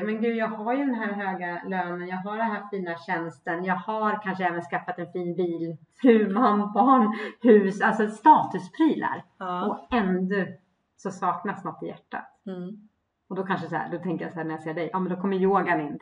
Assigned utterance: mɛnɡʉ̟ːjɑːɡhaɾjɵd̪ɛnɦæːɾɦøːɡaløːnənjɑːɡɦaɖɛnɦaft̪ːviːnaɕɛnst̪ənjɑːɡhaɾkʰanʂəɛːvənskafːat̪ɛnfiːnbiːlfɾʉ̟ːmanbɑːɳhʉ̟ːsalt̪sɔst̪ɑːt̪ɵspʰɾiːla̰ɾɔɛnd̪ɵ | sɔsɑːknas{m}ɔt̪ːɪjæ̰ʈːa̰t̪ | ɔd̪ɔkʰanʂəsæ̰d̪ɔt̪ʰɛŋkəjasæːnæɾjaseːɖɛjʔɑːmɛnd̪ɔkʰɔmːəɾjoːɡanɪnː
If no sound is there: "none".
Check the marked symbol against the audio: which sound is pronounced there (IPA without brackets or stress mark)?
n